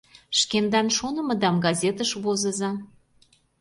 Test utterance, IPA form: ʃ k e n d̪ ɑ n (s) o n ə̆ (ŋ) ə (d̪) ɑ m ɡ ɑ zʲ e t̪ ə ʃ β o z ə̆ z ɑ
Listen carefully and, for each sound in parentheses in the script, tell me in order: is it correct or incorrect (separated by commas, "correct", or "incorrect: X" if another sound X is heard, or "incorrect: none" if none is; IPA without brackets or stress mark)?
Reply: incorrect: ʃ, incorrect: m, correct